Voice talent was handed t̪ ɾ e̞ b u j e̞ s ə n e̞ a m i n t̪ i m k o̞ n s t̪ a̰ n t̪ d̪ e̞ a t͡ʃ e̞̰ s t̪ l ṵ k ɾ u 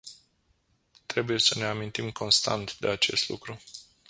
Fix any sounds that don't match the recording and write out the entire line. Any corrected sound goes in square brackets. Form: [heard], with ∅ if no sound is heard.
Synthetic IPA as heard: t̪ ɾ e̞ b u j e̞ s ə n e̞ a m i n t̪ i m k o̞ n s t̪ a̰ n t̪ d̪ e̞ a t͡ʃ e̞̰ s t̪ l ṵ k ɾ u